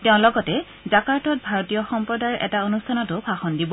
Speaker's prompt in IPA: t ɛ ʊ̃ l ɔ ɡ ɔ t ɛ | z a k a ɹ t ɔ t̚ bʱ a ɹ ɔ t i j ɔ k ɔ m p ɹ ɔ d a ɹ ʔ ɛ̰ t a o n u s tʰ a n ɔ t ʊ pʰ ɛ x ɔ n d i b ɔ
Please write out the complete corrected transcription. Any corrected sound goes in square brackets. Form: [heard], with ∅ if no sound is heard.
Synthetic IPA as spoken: t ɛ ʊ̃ l ɔ ɡ ɔ t ɛ | z a k a ɹ t ɔ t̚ bʱ a ɹ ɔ t i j ɔ [x] ɔ m p ɹ ɔ d a ɹ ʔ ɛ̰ t a o n u s tʰ a n ɔ t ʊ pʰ [a] x ɔ n d i b ɔ